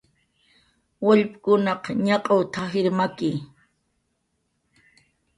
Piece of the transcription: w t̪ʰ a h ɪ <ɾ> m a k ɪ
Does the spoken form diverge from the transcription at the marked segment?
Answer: no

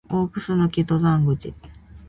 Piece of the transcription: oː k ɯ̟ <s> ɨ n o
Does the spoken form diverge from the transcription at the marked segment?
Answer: no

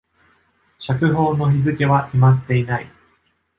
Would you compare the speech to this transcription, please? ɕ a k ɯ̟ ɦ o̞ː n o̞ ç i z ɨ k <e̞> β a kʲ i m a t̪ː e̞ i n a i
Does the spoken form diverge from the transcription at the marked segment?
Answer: no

